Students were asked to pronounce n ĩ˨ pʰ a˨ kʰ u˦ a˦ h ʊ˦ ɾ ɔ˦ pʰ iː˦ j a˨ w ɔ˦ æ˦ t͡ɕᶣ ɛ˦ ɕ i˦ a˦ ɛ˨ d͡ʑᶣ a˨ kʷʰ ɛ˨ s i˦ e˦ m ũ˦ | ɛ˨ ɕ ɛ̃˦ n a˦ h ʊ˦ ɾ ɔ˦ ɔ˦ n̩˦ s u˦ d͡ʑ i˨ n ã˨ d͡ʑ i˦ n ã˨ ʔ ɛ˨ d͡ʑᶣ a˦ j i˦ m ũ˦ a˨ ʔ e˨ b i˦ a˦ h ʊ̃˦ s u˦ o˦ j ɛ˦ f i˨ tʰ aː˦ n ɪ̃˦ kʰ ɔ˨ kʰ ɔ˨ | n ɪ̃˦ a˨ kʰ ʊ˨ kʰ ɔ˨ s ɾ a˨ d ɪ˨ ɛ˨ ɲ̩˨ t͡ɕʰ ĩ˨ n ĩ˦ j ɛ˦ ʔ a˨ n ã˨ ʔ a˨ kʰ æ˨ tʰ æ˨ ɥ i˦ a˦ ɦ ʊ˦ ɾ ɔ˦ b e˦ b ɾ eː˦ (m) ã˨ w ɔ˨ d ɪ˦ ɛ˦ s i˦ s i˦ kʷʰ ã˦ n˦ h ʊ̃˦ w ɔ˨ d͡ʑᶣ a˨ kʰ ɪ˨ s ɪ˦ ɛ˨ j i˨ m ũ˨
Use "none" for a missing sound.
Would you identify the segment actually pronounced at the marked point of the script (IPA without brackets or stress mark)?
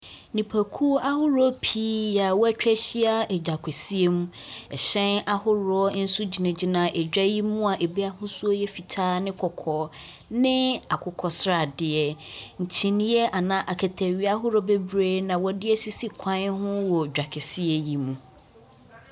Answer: n